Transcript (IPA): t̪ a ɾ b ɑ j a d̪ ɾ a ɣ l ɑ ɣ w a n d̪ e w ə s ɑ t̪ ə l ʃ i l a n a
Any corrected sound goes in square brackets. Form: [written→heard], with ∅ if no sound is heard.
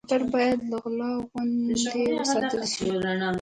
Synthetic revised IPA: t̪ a ɾ b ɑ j a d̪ [ɾ→l] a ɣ l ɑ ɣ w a n d̪ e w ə s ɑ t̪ ə l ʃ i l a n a